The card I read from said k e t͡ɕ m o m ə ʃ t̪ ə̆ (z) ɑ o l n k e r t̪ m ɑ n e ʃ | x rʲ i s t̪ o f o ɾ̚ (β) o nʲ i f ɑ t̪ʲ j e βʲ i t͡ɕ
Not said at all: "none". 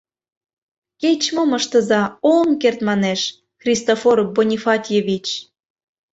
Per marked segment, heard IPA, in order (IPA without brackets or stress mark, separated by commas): z, b